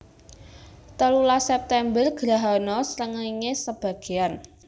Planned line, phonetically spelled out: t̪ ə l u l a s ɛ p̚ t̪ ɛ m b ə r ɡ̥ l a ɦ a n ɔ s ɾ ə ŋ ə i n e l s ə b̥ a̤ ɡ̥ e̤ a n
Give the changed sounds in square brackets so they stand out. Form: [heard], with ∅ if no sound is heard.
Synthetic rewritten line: t̪ ə l u l a s ɛ p̚ t̪ ɛ m b ə r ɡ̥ [ɾ] a ɦ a n ɔ s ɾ ə ŋ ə i [ŋ] e [∅] s ə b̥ a̤ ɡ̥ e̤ a n